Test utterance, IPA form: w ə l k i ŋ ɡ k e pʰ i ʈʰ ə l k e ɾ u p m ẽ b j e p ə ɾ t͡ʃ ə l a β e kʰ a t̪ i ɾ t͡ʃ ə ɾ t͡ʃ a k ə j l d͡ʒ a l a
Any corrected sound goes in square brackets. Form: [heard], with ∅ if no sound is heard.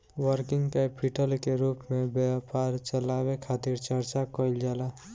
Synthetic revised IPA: w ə [ɾ] k i ŋ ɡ k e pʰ i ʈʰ ə l k e ɾ u p m [e] b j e p [a] ɾ t͡ʃ ə l a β e kʰ a t̪ i ɾ t͡ʃ ə ɾ t͡ʃ a k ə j l d͡ʒ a l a